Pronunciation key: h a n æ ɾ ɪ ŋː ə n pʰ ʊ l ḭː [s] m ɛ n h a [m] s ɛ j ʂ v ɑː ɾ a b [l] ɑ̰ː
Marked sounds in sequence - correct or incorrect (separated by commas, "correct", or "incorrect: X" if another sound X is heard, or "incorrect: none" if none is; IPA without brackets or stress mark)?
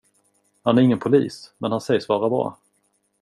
correct, incorrect: n, incorrect: ɾ